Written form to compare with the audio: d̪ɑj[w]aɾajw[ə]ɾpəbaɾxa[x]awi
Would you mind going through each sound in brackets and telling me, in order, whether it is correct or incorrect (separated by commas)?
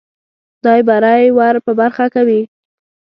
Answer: incorrect, incorrect, incorrect